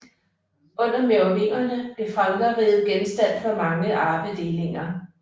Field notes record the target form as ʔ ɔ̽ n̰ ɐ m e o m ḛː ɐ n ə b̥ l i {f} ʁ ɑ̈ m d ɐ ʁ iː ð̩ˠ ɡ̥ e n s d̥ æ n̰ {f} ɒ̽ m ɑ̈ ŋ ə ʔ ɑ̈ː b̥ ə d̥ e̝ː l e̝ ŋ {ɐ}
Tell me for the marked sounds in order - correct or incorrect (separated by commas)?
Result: correct, correct, correct